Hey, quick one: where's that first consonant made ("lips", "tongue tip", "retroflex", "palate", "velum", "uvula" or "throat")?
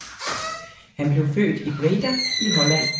throat